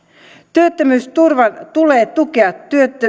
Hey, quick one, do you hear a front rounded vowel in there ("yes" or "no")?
yes